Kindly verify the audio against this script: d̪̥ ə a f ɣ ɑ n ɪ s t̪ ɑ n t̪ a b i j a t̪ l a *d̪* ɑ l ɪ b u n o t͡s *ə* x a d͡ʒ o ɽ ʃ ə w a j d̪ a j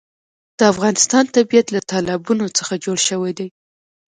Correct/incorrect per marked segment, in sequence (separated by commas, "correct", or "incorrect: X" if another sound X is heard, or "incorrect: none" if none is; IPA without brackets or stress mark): incorrect: t̪, correct